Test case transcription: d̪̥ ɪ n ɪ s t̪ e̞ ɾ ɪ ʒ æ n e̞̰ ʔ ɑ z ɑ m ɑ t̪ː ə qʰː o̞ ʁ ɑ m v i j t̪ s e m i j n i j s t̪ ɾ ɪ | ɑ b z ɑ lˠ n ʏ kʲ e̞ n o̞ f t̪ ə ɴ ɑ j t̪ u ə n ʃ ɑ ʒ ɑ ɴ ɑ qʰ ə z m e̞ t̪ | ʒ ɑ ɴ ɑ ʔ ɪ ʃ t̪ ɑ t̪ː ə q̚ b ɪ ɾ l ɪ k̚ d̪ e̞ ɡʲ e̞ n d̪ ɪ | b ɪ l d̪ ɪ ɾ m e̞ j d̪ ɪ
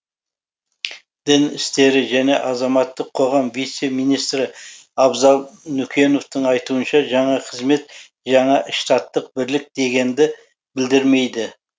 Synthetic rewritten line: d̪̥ ɪ n ɪ s t̪ e̞ ɾ ɪ ʒ æ n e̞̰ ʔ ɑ z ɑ m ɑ t̪ː ə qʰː o̞ ʁ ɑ m v i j t̪ s e m i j n i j s t̪ ɾ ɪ | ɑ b z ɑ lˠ n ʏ kʲ e̞ n o̞ f t̪ ə ɴ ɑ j t̪ u ə n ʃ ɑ ʒ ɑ ɴ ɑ qʰ ə z m e̞ t̪ | ʒ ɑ ɴ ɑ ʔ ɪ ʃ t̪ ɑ t̪ː ə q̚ b ɪ ɾ l ɪ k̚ d̪ e̞ ɡʲ e̞ n d̪ ɪ | b ɪ l d̪ ɪ ɾ m e̞ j d̪ ɪ